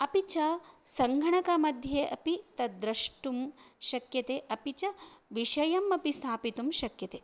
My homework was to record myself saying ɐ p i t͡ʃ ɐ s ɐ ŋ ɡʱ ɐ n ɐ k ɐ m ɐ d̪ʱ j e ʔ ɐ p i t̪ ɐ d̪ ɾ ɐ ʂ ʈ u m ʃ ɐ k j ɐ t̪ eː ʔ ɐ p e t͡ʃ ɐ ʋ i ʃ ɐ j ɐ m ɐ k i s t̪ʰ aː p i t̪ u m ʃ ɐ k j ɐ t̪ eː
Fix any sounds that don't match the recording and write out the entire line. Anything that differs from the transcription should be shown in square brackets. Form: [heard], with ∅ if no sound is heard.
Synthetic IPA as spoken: ɐ p i t͡ʃ ɐ s ɐ ŋ ɡʱ ɐ [ɳ] ɐ k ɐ m ɐ d̪ʱ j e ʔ ɐ p i t̪ ɐ d̪ ɾ ɐ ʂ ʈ u m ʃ ɐ k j ɐ t̪ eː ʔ ɐ p [i] t͡ʃ ɐ ʋ i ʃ ɐ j ɐ m ɐ [p] i s t̪ʰ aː p i t̪ u m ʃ ɐ k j ɐ t̪ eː